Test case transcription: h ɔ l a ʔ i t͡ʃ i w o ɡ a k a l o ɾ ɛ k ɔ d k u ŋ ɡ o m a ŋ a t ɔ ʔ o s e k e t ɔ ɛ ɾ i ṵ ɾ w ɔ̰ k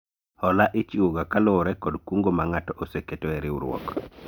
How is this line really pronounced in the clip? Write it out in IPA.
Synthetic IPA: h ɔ l a ʔ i t͡ʃ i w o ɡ a k a l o ɾ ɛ k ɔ d k u ŋ ɡ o m a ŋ a t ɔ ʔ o s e k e t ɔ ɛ ɾ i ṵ ɾ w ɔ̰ k